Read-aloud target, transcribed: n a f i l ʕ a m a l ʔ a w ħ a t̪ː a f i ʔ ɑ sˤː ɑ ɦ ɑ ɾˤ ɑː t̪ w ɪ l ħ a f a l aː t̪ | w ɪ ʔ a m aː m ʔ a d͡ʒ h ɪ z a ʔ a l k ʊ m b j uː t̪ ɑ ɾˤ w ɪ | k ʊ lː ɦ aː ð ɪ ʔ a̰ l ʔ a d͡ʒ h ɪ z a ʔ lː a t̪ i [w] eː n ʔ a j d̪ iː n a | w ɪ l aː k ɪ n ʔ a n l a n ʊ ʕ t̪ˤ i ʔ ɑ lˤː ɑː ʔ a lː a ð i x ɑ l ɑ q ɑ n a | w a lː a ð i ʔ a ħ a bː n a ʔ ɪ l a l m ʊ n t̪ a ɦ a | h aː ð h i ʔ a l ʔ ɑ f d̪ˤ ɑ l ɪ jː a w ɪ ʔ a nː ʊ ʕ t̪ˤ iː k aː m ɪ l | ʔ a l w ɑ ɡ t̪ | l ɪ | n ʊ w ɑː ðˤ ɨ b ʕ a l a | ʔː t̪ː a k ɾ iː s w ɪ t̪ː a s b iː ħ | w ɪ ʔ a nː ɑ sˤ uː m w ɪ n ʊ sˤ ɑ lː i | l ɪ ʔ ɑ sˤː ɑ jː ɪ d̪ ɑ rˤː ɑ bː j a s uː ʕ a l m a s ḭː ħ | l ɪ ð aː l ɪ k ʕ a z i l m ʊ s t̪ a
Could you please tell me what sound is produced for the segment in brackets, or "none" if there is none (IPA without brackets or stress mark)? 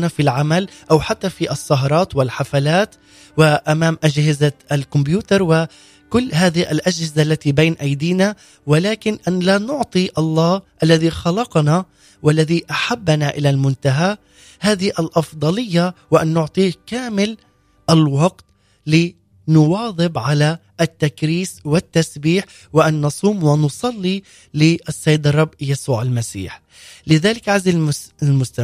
b